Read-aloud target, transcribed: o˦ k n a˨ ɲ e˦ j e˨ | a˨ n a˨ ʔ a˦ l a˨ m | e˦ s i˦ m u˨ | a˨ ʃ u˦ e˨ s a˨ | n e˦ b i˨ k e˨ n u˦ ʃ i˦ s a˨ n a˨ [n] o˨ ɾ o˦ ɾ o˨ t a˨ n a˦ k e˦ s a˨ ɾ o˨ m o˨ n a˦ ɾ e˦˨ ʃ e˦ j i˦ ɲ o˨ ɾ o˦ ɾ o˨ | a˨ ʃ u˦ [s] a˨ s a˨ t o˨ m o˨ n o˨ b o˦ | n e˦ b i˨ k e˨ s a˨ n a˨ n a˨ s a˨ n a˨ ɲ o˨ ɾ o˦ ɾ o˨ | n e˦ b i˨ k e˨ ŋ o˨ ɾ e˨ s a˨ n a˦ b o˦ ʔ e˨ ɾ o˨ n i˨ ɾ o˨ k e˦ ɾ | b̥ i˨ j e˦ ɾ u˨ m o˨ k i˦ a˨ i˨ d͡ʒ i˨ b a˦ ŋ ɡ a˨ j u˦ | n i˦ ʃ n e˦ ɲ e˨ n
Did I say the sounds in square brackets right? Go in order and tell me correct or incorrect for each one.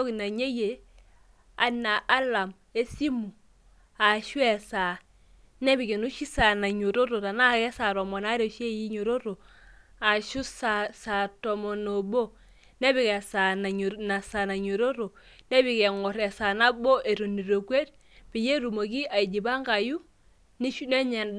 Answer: incorrect: ɲ, correct

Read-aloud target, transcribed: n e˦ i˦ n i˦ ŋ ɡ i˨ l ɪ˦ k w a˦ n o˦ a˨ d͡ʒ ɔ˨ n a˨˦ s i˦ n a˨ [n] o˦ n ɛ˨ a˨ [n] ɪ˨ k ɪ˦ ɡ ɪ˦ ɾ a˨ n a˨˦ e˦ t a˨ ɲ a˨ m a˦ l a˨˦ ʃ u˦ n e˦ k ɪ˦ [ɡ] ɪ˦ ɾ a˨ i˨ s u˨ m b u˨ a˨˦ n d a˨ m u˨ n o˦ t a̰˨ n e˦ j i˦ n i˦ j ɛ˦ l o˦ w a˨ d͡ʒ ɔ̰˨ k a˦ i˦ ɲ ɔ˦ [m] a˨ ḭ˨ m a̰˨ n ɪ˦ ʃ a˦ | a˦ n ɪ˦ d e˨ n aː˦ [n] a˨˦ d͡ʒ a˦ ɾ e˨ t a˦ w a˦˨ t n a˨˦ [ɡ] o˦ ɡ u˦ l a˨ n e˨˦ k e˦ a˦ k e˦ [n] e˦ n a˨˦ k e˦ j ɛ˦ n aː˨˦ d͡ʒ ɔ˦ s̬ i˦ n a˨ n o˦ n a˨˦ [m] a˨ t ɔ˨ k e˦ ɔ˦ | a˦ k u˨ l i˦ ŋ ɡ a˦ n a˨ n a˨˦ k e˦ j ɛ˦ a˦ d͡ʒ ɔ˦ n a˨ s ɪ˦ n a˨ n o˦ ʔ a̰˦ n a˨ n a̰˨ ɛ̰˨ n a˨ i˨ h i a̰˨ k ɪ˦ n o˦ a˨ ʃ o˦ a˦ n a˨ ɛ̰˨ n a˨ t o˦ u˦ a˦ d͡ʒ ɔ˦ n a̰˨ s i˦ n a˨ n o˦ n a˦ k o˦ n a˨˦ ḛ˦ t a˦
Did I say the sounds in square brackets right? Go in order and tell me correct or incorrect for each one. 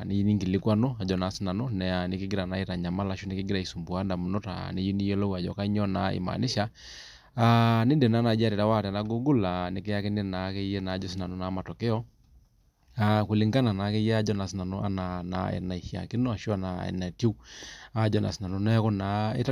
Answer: correct, correct, correct, incorrect: n, correct, correct, correct, correct

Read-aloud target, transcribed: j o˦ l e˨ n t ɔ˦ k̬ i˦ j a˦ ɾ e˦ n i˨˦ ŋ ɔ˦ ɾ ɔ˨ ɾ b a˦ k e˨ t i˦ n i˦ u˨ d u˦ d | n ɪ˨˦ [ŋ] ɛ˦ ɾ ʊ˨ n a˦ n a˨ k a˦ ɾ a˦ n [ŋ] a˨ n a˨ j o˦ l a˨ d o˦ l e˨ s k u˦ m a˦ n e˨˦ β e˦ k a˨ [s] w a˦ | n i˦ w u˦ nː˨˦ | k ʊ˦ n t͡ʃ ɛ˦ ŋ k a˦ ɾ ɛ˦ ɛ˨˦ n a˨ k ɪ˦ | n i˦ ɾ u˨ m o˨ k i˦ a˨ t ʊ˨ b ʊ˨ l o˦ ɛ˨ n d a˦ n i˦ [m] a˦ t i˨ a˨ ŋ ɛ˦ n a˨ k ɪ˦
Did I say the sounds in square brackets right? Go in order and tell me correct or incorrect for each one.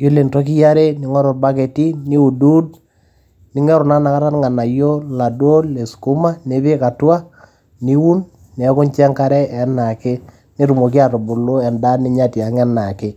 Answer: correct, correct, incorrect: t, incorrect: ɲ

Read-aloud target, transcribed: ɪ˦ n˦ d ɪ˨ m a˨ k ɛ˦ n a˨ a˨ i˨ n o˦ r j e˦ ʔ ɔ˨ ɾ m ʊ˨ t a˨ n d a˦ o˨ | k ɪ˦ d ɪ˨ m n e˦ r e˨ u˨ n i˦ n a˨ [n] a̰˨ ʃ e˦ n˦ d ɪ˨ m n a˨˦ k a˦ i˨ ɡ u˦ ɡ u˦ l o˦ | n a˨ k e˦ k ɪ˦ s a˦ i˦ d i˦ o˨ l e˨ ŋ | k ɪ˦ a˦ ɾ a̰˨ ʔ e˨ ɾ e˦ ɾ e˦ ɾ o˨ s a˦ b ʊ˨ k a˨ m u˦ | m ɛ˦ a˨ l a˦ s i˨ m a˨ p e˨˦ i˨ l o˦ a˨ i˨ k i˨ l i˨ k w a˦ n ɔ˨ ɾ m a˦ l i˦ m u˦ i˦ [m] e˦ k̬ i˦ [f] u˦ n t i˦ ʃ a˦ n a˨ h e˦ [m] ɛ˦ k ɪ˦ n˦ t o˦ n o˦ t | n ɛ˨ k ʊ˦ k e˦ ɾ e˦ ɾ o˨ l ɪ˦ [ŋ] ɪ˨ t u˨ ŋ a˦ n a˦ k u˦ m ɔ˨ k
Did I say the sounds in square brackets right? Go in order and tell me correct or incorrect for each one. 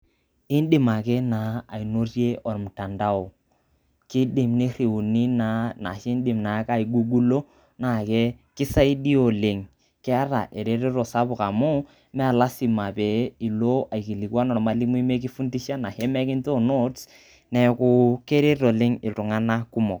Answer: correct, correct, correct, correct, correct

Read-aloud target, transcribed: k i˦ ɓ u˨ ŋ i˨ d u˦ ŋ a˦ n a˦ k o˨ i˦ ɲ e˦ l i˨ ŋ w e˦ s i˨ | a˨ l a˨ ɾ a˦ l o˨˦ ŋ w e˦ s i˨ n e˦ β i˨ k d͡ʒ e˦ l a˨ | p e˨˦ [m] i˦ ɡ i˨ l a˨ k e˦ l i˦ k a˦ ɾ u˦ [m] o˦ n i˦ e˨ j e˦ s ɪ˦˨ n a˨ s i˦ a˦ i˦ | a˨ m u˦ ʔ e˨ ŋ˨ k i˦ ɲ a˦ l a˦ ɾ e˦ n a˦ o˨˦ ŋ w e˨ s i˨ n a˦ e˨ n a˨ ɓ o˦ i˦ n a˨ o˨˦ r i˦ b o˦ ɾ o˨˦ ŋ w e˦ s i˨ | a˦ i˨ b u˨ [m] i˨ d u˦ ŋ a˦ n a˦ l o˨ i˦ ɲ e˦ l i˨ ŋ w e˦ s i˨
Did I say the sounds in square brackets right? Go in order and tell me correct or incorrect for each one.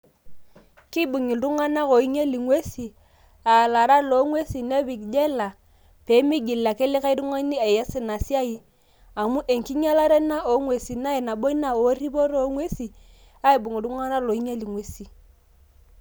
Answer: correct, incorrect: ŋ, incorrect: ŋ

